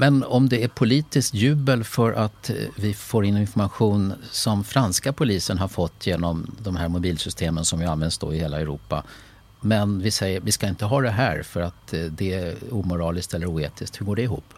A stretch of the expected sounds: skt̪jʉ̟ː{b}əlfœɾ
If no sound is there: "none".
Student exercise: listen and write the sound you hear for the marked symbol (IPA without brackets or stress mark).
b